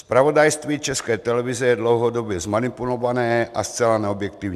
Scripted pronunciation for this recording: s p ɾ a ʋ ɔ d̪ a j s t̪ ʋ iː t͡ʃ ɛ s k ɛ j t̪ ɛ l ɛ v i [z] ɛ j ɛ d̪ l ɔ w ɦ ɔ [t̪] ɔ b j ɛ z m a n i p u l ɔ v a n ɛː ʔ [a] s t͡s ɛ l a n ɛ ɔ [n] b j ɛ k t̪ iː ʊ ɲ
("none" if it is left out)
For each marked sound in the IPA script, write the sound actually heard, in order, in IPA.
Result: z, d̪, a, none

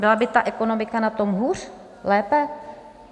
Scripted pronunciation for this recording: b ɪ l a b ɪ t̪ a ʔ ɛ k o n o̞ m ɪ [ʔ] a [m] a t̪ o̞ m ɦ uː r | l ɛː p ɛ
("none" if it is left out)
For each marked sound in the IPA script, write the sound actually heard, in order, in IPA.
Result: k, n

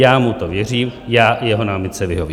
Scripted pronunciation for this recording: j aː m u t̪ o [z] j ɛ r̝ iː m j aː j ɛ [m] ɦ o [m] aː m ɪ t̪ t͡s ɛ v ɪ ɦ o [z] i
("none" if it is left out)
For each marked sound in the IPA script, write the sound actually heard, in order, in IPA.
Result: v, none, n, v

